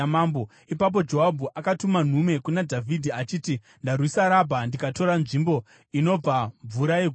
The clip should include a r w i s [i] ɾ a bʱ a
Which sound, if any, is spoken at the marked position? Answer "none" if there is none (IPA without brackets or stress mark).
a